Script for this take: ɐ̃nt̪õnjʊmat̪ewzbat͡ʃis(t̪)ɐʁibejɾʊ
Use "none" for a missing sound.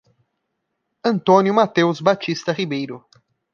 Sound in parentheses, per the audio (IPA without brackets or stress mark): t̪